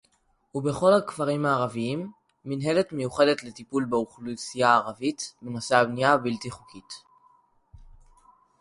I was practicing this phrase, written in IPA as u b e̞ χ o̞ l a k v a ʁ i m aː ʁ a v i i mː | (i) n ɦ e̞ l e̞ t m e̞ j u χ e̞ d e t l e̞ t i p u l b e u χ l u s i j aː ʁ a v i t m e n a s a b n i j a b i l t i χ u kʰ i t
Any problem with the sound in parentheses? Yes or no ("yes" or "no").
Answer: no